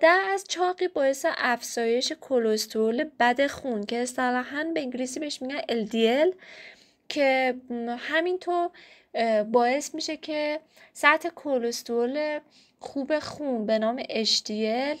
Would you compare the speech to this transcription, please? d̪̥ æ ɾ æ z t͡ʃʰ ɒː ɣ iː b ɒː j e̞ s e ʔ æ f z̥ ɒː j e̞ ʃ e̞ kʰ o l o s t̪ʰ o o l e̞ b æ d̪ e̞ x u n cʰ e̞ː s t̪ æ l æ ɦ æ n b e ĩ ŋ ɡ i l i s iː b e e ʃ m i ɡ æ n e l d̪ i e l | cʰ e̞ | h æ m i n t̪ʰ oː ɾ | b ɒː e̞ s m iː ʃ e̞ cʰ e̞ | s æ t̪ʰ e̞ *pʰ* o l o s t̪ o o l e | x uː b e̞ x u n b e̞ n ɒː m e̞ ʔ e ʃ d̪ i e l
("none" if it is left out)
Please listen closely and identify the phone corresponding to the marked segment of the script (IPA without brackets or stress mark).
kʰ